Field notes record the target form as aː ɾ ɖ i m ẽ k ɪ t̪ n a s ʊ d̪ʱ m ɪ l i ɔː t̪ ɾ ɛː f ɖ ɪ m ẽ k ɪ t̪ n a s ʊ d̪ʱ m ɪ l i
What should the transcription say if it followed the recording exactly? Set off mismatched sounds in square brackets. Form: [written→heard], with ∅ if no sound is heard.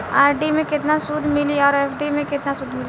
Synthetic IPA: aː ɾ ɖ i m ẽ k ɪ t̪ n a s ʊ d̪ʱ m ɪ l i ɔː [t̪→∅] ɾ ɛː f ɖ [ɪ→i] m ẽ k ɪ t̪ n a s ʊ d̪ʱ m ɪ l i